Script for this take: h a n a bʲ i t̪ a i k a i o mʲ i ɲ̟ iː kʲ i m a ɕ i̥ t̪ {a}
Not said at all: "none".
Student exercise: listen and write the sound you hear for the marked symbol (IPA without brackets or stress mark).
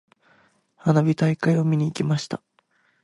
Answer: a